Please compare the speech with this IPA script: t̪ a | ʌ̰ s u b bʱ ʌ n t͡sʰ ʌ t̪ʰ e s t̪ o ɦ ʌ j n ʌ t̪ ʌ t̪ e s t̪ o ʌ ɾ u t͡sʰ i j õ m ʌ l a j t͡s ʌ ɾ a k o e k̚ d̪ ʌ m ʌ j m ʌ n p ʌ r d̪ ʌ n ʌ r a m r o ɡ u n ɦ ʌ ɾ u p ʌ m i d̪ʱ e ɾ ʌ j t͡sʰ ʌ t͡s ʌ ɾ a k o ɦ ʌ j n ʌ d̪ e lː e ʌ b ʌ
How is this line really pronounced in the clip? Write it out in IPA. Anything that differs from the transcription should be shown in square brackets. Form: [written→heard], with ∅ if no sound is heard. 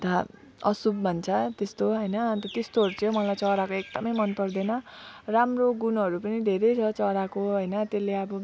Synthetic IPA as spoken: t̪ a | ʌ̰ s u b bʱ ʌ n t͡sʰ ʌ [t̪ʰ→t̪] e s t̪ o ɦ ʌ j n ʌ t̪ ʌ t̪ e s t̪ o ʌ ɾ u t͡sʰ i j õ m ʌ l a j t͡s ʌ ɾ a k o e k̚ d̪ ʌ m ʌ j m ʌ n p ʌ r d̪ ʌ n ʌ r a m r o ɡ u n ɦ ʌ ɾ u p ʌ [m→n] i d̪ʱ e ɾ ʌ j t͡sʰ ʌ t͡s ʌ ɾ a k o ɦ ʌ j n ʌ [d̪→t̪] e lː e ʌ b ʌ